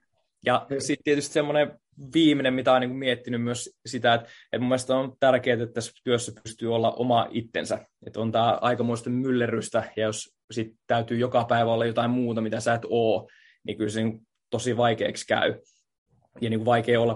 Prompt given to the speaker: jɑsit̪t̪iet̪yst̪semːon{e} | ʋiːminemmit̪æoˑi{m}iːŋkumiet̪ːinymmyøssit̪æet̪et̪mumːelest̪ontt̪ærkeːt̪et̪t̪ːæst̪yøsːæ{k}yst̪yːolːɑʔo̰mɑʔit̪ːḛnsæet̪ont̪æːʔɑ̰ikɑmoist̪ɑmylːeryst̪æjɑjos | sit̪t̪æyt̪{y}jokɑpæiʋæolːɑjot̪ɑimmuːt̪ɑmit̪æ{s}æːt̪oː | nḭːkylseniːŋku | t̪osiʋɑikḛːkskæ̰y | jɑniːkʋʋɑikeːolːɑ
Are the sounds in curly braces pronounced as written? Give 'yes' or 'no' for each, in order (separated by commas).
yes, no, no, no, yes